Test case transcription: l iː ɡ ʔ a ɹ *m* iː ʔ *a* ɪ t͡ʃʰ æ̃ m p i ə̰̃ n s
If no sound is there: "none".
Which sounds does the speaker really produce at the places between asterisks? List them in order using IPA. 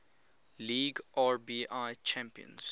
b, a

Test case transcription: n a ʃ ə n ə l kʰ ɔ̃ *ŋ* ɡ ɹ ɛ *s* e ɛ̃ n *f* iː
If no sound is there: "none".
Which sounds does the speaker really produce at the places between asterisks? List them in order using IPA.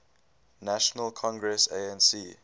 ŋ, s, s

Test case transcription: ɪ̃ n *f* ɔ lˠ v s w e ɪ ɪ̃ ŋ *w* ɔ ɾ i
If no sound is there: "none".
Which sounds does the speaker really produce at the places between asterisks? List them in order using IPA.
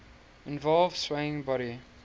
v, b

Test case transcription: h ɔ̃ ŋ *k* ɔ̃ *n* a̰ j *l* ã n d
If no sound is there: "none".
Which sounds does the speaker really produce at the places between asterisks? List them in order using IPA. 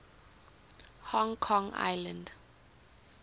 kʰ, ŋ, l

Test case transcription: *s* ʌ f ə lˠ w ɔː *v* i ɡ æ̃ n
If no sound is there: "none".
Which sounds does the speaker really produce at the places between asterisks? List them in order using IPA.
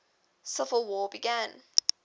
s, b

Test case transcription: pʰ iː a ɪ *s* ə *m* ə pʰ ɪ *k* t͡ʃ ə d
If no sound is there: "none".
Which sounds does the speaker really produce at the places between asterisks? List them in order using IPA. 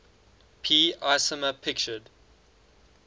s, m, k

